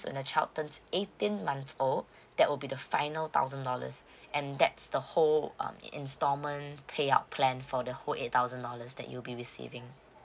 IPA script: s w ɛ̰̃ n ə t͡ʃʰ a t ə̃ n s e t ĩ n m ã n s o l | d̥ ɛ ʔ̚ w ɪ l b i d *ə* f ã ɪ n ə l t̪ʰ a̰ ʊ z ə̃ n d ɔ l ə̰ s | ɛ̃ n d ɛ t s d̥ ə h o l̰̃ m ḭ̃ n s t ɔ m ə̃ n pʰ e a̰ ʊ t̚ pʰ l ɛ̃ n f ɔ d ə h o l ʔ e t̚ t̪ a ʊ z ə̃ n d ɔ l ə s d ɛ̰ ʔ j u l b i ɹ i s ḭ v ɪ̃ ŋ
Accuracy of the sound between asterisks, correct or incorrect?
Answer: correct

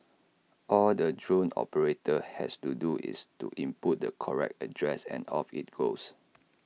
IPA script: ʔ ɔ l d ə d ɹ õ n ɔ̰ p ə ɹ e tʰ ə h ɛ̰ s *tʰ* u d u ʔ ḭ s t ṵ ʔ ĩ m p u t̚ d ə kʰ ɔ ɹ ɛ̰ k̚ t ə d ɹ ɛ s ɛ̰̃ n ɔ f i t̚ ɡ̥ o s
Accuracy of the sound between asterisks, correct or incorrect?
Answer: incorrect: t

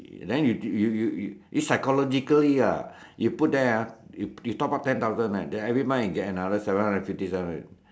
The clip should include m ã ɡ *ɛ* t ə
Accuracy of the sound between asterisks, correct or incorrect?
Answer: correct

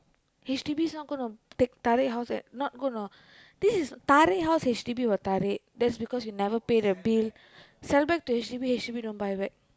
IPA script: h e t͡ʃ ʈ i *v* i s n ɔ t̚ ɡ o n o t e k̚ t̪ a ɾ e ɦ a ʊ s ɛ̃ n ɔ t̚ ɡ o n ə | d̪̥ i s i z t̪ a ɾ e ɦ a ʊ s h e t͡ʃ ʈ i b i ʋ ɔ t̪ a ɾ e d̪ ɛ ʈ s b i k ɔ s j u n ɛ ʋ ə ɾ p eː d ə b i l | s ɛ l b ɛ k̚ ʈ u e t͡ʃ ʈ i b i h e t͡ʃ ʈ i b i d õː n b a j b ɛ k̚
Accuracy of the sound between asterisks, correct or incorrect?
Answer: incorrect: b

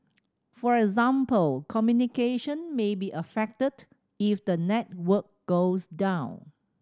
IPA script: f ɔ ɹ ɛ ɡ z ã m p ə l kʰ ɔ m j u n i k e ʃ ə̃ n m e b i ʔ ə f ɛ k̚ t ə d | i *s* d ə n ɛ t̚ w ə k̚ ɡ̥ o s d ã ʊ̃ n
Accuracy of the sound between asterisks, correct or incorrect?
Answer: incorrect: f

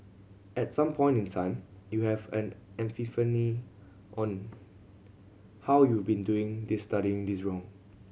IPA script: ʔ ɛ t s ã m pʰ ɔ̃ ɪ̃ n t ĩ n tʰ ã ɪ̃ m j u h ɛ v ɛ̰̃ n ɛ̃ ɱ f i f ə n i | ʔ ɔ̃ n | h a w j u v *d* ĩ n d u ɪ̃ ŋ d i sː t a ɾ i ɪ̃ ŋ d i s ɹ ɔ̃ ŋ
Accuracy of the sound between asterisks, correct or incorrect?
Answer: incorrect: b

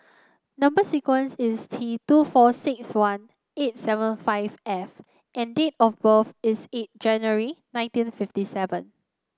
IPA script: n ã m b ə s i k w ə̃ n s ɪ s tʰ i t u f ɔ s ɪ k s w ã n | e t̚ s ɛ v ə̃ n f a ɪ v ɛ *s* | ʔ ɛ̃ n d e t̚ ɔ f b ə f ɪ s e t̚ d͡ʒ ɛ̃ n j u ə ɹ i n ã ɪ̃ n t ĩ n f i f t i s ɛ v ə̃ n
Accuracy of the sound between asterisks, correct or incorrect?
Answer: incorrect: f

